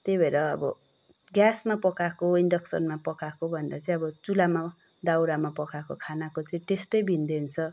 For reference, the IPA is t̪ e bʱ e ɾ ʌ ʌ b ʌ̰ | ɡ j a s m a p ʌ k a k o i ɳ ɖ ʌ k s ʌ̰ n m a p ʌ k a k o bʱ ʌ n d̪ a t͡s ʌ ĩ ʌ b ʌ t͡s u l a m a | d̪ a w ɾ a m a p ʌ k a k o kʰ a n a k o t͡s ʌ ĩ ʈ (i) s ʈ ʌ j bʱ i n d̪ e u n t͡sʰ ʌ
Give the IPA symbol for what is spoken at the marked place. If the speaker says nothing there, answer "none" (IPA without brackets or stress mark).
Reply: e